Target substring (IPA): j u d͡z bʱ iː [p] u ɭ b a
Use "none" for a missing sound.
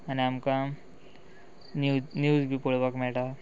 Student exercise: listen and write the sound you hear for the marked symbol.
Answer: p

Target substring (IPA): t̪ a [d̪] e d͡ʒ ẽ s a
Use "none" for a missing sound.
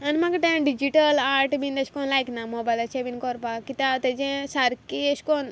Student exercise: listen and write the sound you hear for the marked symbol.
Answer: t̪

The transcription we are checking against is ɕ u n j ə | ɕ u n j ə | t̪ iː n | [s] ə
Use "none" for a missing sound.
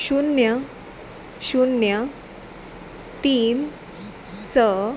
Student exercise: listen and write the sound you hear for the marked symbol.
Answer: s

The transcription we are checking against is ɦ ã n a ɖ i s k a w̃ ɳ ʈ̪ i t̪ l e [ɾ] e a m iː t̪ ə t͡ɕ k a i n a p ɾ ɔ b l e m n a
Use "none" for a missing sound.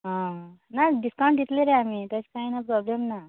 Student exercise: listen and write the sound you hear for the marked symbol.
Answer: ɾ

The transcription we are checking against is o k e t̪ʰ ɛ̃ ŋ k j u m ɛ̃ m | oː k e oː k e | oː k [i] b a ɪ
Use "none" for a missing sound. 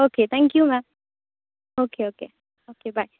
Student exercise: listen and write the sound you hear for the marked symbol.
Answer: e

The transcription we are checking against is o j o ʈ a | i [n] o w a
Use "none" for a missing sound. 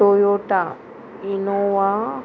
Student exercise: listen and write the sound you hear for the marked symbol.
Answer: n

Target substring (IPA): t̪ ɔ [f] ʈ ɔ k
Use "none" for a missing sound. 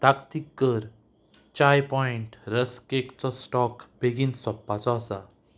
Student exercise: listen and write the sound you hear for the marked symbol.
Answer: s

